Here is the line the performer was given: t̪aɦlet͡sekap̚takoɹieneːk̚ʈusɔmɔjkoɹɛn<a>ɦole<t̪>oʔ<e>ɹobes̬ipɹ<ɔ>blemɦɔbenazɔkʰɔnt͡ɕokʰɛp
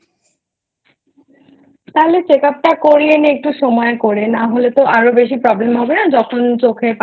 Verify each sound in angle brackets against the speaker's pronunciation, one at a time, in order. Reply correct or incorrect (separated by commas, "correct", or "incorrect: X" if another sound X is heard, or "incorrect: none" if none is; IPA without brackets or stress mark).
correct, correct, incorrect: a, correct